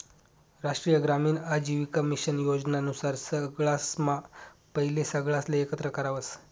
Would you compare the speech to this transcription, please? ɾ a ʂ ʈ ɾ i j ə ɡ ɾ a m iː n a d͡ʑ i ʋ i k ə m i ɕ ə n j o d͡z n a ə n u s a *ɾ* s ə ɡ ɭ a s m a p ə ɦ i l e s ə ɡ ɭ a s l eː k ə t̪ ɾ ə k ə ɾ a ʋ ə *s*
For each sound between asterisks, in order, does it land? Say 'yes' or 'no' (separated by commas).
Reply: yes, yes